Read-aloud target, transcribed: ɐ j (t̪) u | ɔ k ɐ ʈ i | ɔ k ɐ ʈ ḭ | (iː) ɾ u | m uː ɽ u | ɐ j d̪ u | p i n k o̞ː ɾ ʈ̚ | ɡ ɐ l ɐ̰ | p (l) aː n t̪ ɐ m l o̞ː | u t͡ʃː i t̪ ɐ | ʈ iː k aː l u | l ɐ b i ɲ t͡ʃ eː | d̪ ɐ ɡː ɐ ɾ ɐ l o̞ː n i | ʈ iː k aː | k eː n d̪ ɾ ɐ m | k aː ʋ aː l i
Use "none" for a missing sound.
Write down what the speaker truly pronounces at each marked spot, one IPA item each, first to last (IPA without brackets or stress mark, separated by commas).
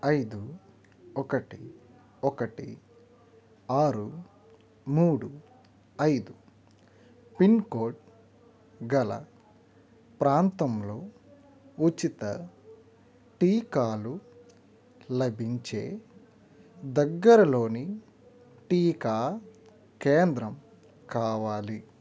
d̪, aː, ɾ